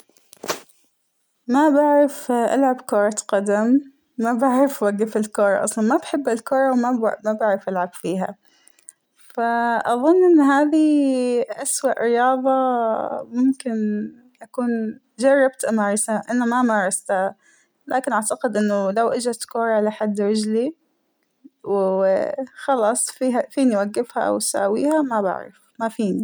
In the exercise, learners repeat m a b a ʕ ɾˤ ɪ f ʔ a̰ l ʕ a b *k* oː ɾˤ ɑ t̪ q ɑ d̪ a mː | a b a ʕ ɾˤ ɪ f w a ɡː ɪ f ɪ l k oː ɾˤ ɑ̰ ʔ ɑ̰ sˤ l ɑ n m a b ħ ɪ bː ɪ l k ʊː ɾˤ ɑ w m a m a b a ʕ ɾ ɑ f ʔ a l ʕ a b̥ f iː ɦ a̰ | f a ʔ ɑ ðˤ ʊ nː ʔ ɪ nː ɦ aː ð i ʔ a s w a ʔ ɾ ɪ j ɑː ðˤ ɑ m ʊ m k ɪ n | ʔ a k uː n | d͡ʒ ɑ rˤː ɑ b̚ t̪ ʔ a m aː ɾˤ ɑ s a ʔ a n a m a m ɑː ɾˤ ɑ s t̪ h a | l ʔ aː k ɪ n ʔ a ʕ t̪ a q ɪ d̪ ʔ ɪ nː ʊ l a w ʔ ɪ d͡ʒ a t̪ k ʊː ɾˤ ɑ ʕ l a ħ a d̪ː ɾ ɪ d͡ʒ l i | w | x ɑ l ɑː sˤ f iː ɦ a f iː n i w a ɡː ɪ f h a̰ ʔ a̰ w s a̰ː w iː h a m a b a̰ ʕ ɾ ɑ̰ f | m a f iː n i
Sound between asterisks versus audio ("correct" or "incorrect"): correct